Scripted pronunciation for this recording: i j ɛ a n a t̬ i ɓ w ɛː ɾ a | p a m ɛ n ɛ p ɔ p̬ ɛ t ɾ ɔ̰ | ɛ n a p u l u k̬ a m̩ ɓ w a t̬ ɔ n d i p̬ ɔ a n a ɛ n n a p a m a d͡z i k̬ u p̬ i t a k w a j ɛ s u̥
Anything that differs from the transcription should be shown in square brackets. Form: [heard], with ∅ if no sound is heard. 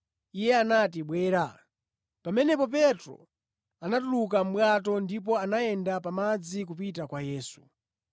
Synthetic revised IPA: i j ɛ a n a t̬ i ɓ w ɛː ɾ a | p a m ɛ n ɛ p ɔ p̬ ɛ t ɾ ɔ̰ | [a] n a [t] u l u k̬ a m̩ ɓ w a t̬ ɔ n d i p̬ ɔ a n a ɛ n [d] a p a m a d͡z i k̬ u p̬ i t a k w a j [ɛː] s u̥